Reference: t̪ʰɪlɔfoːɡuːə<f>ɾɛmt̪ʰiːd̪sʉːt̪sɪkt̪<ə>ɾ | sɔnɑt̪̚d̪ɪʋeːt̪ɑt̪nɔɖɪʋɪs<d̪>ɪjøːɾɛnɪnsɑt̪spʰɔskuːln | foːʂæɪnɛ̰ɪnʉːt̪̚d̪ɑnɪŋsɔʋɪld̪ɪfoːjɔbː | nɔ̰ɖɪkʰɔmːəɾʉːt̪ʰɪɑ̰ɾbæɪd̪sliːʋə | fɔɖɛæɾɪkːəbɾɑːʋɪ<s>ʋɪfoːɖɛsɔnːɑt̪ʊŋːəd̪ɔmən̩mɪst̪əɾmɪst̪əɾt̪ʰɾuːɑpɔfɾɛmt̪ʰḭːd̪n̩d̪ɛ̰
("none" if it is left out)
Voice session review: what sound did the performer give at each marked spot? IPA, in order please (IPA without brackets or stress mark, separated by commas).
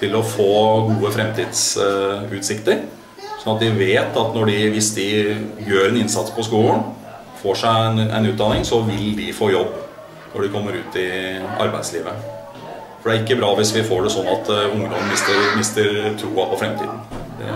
f, ə, d̪, s